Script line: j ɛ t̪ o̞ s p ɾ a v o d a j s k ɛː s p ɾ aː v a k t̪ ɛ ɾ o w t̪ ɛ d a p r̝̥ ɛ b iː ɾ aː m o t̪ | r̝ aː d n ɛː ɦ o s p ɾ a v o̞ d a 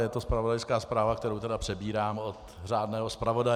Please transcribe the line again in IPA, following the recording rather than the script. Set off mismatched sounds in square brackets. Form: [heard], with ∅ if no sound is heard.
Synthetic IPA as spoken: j ɛ t̪ o̞ s p ɾ a v o d a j s k [aː] s p ɾ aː v a k t̪ ɛ ɾ o w t̪ ɛ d a p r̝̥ ɛ b iː ɾ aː m o t̪ | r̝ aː d n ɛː ɦ o s p ɾ a v o̞ d a

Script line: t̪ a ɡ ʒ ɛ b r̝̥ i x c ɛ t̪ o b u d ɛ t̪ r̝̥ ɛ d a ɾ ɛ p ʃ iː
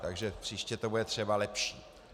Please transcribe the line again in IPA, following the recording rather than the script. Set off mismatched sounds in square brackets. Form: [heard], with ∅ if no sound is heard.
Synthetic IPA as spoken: t̪ a ɡ ʒ ɛ [p] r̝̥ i [ʃ] c ɛ t̪ o b u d ɛ t̪ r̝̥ ɛ [b] a [l] ɛ p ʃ iː

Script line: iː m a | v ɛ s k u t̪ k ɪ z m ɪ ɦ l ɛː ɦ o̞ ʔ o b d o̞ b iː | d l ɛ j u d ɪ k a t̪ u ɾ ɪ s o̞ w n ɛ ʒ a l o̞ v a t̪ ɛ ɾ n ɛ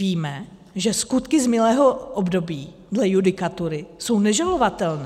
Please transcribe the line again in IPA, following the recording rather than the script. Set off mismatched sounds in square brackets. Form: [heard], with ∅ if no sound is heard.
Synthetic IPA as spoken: iː m [ɛ] | [ʒ] ɛ s k u t̪ k ɪ z m ɪ [∅] l ɛː ɦ o̞ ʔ o b d o̞ b iː | d l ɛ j u d ɪ k a t̪ u ɾ ɪ s o̞ w n ɛ ʒ a l o̞ v a t̪ ɛ [l] n ɛ

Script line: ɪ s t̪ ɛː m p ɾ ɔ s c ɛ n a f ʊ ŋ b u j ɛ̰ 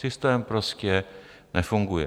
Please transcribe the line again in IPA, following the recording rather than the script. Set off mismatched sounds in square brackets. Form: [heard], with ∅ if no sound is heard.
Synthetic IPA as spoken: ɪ s t̪ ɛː m p ɾ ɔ s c ɛ n [ɛ] f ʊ ŋ [ɡ] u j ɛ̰

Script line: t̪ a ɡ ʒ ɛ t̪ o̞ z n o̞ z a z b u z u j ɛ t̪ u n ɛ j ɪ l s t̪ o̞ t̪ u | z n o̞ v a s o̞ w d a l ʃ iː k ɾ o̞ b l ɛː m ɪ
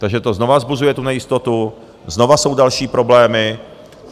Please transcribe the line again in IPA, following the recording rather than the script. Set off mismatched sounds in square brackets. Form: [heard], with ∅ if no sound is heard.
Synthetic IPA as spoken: t̪ a ɡ ʒ ɛ t̪ o̞ z n o̞ [v] a z b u z u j ɛ t̪ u n ɛ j ɪ [∅] s t̪ o̞ t̪ u | z n o̞ v a s o̞ w d a l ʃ iː [p] ɾ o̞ b l ɛː m ɪ

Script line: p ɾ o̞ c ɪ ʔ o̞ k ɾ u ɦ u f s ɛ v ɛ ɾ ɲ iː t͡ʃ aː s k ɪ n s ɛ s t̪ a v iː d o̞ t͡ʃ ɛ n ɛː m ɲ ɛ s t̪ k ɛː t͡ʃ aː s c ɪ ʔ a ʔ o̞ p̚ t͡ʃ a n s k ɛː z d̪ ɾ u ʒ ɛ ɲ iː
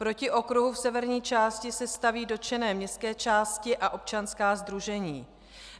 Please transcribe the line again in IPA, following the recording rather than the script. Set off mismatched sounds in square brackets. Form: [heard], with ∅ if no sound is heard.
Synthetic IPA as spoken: p ɾ o̞ c ɪ ʔ o̞ k ɾ u ɦ u f s ɛ v ɛ ɾ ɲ iː t͡ʃ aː s [c] ɪ [∅] s ɛ s t̪ a v iː d o̞ t͡ʃ ɛ n ɛː m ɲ ɛ s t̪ k ɛː t͡ʃ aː s c ɪ ʔ a ʔ o̞ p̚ t͡ʃ a n s k [aː] z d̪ ɾ u ʒ ɛ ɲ iː

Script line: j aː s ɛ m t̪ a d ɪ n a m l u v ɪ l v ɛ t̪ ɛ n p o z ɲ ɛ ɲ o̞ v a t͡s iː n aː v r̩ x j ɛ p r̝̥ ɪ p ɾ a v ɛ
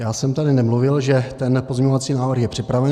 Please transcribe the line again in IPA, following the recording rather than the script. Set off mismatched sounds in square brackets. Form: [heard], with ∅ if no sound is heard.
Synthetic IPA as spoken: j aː s ɛ m t̪ a d ɪ n [ɛ] m l u v ɪ l [ʒ] ɛ t̪ ɛ n p o z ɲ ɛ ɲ o̞ v a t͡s iː n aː v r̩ x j ɛ p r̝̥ ɪ p ɾ a v ɛ

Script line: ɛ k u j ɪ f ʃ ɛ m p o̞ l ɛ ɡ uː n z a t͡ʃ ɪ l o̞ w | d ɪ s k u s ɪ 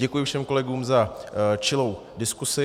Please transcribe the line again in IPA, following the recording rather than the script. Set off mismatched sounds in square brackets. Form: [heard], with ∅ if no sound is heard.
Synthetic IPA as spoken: ɛ k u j ɪ f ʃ ɛ m [k] o̞ l ɛ ɡ uː [m] z a t͡ʃ ɪ l o̞ w | d ɪ s k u s ɪ

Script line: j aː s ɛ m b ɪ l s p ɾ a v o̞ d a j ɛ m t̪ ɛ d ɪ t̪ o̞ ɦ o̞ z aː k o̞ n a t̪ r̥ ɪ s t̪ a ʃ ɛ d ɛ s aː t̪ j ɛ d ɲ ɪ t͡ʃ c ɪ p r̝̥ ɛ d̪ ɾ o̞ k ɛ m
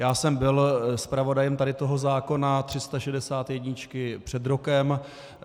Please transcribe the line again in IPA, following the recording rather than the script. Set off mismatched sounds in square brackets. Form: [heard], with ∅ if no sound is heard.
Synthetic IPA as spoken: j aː s ɛ m b ɪ l s p ɾ a v o̞ d a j ɛ m t̪ [a] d ɪ t̪ o̞ ɦ o̞ z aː k o̞ n a t̪ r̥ ɪ s t̪ a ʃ ɛ d ɛ s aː t̪ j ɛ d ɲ ɪ t͡ʃ [k] ɪ p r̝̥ ɛ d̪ ɾ o̞ k ɛ m

